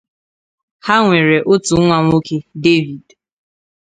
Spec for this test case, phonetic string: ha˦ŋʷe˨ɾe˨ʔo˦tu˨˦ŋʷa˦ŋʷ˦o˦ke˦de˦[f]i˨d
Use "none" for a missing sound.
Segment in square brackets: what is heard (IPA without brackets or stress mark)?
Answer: v